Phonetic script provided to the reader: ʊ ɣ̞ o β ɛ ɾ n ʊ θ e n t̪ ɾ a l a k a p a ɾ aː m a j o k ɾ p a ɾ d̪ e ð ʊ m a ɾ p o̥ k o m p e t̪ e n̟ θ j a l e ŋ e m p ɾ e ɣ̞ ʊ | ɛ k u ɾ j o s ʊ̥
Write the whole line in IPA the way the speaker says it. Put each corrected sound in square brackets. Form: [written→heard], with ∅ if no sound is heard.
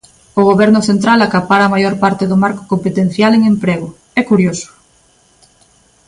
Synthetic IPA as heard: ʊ ɣ̞ o β ɛ ɾ n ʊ θ e n t̪ ɾ a l a k a p a ɾ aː m a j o [k→∅] ɾ p a ɾ [d̪→t̪] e ð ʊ m a ɾ [p→k] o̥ k o m p e t̪ e n̟ θ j a l e ŋ e m p ɾ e ɣ̞ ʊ | ɛ k u ɾ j o s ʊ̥